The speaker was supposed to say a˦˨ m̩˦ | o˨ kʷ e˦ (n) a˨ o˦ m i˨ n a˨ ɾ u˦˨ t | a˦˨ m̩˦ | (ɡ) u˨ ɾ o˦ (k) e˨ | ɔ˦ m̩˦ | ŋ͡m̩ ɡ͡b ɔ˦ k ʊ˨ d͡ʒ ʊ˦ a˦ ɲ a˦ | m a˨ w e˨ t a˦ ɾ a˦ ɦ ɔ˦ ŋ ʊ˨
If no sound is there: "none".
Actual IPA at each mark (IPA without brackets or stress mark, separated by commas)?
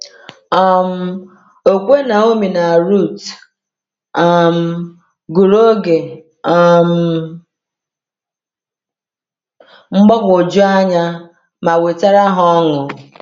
n, ɡ, ɡ